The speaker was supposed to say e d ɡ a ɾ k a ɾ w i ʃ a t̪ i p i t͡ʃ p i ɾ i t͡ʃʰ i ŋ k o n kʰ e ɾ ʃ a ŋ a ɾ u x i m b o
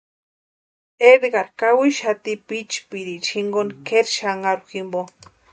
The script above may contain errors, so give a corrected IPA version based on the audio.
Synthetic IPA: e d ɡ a ɾ k a w i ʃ a t̪ i p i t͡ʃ p i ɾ i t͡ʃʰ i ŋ ɡ o n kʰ e ɾ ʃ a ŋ a ɾ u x i m b o